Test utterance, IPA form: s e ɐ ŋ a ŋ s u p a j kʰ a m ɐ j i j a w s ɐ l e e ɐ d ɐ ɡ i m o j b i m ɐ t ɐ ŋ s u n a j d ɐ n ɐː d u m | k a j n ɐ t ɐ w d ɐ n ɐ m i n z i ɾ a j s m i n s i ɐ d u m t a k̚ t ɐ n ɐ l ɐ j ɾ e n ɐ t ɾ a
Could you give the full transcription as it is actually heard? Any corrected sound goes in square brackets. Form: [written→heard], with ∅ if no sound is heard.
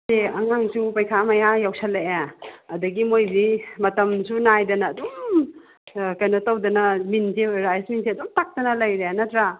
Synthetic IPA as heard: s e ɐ ŋ a ŋ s u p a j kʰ a m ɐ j [i→a] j a w s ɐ l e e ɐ d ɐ ɡ i m o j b i m ɐ t ɐ [ŋ→m] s u n a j d ɐ n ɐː d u m | k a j n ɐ t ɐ w d ɐ n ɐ m i n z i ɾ a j s m i n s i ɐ d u m t a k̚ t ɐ n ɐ l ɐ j ɾ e n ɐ t ɾ a

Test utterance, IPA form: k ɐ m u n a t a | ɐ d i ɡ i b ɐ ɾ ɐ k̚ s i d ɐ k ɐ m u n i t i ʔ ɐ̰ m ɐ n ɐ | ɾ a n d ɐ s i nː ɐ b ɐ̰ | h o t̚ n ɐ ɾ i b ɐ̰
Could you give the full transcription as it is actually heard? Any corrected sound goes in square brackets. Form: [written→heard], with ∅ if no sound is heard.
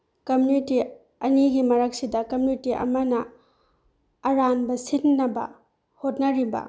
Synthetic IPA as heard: k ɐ m u n [a→i] t [a→i] | ɐ [d→n] i ɡ i [b→m] ɐ ɾ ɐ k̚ s i d ɐ k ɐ m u n i t i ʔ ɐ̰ m ɐ n ɐ | ɾ a n [d→b] ɐ s i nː ɐ b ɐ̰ | h o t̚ n ɐ ɾ i b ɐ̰

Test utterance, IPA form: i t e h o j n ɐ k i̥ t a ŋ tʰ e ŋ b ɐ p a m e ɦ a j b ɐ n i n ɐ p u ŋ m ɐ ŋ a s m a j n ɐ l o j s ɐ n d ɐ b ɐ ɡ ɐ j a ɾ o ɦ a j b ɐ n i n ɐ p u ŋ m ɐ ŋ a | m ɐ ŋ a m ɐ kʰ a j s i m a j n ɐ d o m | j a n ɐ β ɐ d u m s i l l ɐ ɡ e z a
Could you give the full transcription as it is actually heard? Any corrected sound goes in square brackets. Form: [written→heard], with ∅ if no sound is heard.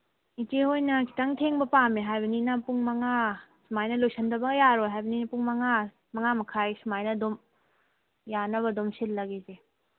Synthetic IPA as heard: i t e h o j n ɐ k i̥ t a ŋ tʰ e ŋ b ɐ p a m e ɦ a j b ɐ n i n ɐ p u ŋ m ɐ ŋ a s m a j n ɐ l o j s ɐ n d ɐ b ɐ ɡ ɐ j a ɾ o ɦ a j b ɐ n i n ɐ p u ŋ m ɐ ŋ a | m ɐ ŋ a m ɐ kʰ a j s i m a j n ɐ d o m | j a n ɐ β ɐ d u m s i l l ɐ ɡ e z [a→e]

